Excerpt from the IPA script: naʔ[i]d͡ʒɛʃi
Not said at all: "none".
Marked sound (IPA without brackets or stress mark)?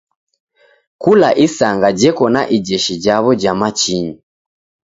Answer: i